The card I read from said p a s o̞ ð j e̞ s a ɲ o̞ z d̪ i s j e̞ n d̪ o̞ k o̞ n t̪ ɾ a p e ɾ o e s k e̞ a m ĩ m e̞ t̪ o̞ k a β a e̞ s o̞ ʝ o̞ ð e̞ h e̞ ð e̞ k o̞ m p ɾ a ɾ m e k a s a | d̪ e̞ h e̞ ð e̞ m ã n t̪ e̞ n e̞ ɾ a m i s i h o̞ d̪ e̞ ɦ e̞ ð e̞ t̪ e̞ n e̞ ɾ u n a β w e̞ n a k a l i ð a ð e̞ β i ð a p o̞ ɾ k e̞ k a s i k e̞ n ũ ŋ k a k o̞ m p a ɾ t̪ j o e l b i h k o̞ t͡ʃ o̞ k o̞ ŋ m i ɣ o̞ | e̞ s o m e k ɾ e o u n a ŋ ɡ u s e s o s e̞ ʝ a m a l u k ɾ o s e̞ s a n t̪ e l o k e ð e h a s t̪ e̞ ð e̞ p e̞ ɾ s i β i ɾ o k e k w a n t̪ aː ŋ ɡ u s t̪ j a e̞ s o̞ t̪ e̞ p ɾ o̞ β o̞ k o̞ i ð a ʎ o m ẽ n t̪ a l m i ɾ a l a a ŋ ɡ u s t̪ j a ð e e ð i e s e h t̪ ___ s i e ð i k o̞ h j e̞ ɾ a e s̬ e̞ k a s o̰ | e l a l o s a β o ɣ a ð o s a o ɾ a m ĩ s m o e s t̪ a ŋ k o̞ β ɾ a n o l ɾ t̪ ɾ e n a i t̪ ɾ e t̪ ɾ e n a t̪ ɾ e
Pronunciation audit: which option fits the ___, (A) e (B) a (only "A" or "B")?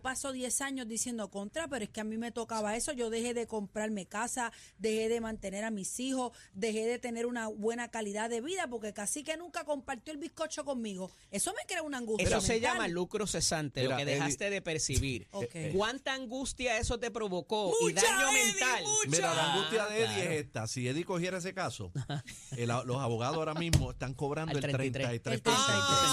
B